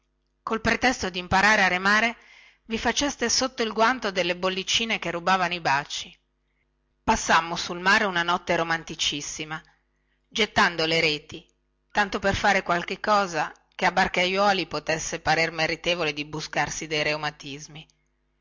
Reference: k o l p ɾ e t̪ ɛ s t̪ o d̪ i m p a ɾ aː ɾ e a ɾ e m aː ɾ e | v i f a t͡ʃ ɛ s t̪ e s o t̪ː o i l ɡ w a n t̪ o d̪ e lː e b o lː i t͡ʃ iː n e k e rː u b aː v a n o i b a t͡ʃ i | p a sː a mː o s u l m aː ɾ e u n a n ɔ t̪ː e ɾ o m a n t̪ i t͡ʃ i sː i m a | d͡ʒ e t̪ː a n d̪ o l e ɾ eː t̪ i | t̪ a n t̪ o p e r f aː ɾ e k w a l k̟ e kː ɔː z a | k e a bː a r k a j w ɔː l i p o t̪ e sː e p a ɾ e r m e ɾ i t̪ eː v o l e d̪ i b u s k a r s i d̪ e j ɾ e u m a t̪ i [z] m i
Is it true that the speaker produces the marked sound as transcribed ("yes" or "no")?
yes